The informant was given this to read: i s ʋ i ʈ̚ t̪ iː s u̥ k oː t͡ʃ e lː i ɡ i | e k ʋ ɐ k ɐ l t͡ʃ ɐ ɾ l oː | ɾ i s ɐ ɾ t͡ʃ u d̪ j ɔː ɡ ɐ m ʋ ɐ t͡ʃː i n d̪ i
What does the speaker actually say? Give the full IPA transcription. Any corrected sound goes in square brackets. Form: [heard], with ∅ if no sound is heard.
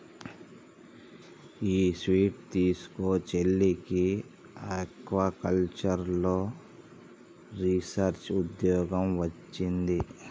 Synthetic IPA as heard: [iː] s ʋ [iː] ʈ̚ t̪ iː s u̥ k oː t͡ʃ e lː i [k] i | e k ʋ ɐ k ɐ l t͡ʃ ɐ ɾ l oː | ɾ i s ɐ ɾ t͡ʃ u d̪ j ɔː ɡ ɐ m ʋ ɐ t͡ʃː i n d̪ i